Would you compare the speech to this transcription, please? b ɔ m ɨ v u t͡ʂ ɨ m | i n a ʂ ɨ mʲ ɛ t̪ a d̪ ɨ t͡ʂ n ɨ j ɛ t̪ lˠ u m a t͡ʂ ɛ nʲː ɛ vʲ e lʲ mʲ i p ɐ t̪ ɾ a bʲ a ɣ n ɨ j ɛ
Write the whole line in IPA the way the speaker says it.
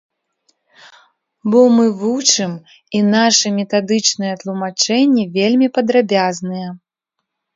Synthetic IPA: b ɔ m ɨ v u t͡ʂ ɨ m | i n a ʂ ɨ mʲ ɛ t̪ a d̪ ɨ t͡ʂ n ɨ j ɛ t̪ lˠ u m a t͡ʂ ɛ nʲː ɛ vʲ e lʲ mʲ i p ɐ d̪ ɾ a bʲ a z n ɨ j ɛ